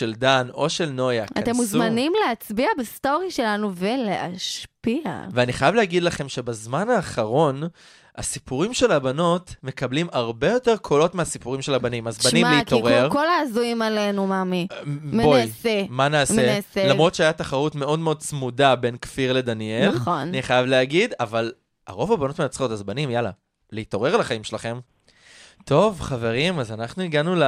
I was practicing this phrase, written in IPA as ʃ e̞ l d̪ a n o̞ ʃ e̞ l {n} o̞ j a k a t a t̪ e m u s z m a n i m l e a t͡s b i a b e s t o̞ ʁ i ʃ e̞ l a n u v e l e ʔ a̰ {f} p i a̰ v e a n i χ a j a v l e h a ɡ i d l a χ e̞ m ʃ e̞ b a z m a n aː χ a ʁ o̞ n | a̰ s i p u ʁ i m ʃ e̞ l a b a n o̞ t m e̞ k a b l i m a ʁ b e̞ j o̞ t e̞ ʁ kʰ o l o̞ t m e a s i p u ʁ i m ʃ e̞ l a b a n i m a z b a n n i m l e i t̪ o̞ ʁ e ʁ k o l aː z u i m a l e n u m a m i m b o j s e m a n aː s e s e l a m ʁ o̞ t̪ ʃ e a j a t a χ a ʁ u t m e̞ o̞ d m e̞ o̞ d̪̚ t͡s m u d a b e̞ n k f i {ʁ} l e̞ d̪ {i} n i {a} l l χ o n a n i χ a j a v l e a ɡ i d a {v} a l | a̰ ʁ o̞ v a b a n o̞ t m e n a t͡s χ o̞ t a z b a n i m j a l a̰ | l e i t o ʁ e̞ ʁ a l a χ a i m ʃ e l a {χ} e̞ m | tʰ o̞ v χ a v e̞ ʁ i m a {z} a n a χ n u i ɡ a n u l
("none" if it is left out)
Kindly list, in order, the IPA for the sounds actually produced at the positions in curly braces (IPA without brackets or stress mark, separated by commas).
n, ʃ, ʁ, a, e, v, χ, z